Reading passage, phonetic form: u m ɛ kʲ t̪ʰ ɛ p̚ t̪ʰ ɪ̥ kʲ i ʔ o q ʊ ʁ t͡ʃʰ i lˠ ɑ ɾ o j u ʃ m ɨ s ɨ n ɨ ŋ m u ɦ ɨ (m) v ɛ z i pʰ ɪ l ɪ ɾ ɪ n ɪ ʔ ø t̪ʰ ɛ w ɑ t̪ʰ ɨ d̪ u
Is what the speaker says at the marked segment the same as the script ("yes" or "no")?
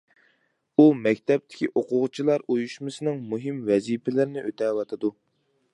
yes